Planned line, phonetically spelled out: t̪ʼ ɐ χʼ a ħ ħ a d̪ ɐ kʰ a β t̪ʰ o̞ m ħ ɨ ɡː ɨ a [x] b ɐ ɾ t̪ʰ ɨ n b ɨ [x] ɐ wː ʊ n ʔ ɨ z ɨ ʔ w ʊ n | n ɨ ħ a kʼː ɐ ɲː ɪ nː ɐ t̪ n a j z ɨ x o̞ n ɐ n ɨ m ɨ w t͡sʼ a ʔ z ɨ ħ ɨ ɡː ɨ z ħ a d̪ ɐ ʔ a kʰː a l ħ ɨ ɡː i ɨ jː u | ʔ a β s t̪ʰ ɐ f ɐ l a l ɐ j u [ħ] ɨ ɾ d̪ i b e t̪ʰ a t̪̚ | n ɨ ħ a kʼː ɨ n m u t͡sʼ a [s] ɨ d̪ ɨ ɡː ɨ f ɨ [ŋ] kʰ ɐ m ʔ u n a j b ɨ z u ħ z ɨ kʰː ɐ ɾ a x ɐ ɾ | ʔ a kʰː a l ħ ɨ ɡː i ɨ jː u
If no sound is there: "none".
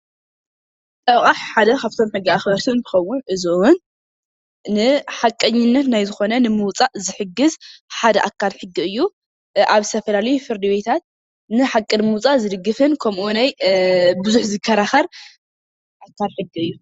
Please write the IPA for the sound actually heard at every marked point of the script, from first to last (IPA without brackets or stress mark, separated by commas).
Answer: x, x, f, z, n